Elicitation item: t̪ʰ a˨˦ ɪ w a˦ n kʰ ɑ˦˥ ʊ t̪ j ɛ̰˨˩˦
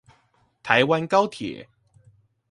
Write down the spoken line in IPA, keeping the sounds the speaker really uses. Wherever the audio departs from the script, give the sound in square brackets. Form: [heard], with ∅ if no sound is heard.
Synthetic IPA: t̪ʰ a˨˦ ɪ w a˦ n [k] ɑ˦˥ ʊ [t̪ʰ] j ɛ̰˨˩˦